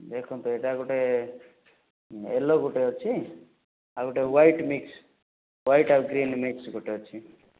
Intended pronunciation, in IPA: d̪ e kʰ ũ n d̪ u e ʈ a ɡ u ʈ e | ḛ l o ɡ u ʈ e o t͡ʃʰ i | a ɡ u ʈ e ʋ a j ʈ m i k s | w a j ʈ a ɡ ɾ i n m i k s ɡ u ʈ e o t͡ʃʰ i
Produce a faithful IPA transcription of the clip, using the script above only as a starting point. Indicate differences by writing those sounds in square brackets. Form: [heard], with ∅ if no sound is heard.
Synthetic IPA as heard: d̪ e kʰ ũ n [t̪] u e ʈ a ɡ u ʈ e | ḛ l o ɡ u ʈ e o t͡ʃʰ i | a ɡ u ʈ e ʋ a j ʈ m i k s | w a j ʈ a ɡ ɾ i n m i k s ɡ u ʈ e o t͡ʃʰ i